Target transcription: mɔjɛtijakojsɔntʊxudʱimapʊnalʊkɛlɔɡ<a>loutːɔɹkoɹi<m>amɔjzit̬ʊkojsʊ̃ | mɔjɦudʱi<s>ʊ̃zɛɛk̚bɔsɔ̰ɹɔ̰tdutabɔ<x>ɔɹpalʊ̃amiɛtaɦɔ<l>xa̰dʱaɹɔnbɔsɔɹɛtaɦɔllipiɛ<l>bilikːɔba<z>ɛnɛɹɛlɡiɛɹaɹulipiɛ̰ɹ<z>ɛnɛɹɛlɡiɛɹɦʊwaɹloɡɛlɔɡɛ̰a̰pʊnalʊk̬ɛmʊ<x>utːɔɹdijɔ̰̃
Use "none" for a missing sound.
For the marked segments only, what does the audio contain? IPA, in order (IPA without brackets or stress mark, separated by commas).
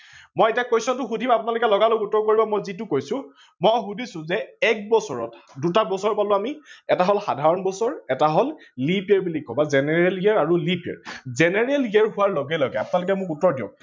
a, b, s, s, l, ɹ, z, z, k